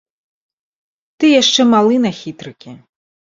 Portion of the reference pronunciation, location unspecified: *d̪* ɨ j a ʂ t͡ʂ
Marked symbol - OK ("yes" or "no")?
no